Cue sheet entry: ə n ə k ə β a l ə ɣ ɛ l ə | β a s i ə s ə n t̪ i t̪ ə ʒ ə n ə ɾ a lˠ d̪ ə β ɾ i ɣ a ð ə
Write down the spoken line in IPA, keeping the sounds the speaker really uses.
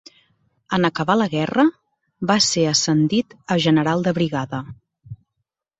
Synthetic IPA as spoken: ə n ə k ə β a l ə ɣ ɛ r ə | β a s e ə s ə n d̪ i t̪ ə ʒ ə n ə ɾ a lˠ d̪ ə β ɾ i ɣ a ð ə